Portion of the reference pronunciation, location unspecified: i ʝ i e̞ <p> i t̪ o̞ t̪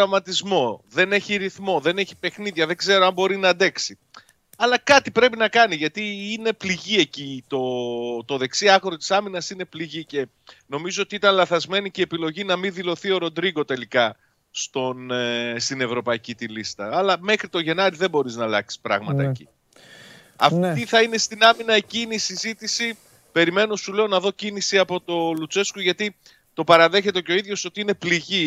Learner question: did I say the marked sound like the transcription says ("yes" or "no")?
no